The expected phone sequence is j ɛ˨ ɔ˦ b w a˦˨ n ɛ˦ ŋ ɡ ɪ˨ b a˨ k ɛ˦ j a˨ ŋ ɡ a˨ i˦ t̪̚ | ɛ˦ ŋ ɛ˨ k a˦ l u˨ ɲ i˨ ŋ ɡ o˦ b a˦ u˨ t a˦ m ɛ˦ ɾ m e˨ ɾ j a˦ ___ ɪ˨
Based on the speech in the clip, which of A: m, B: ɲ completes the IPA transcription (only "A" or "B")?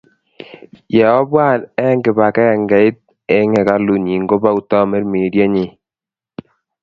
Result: B